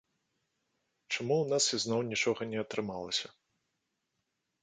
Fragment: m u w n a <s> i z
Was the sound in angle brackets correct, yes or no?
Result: yes